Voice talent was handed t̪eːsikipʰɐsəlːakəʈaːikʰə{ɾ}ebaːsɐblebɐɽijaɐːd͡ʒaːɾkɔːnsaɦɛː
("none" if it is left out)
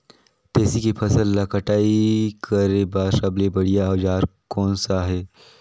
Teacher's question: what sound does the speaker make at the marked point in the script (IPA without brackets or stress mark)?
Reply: ɾ